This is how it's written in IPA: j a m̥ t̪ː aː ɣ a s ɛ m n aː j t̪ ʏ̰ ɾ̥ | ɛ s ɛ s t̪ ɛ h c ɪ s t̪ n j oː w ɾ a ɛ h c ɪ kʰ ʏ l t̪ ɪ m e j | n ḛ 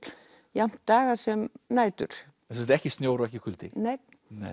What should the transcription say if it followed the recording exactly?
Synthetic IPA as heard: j a m̥ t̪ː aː ɣ a s ɛ m n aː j t̪ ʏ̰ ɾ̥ | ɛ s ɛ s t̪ ɛ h c ɪ s t̪ n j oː w ɾ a ɛ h c ɪ kʰ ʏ l t̪ ɪ n e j | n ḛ